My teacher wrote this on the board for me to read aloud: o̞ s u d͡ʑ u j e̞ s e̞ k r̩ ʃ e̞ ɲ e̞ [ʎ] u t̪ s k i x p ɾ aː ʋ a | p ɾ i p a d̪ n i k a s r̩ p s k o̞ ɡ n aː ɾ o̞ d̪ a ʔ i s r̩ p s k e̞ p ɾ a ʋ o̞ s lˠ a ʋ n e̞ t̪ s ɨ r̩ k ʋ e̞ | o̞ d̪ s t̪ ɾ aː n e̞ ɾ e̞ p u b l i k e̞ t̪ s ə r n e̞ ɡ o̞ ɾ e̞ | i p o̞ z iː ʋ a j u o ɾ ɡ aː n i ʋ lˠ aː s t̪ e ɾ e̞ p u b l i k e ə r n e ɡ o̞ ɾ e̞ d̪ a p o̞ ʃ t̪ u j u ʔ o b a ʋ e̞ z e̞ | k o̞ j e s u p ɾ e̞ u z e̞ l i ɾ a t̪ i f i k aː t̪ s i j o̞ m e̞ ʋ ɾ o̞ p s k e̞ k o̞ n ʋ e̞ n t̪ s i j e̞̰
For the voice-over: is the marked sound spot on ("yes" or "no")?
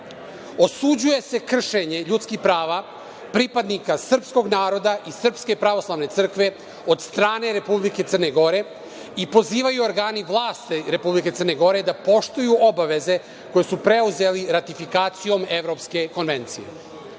yes